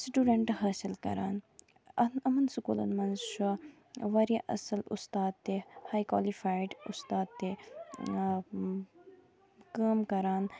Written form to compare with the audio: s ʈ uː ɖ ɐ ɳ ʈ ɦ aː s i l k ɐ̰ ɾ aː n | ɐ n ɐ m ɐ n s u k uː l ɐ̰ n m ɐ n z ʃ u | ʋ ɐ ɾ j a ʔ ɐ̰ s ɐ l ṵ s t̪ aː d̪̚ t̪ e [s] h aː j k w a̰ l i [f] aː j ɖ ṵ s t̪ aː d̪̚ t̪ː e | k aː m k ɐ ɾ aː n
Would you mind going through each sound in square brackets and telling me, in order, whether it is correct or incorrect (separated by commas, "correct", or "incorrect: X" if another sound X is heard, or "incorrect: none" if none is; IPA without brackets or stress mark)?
incorrect: none, correct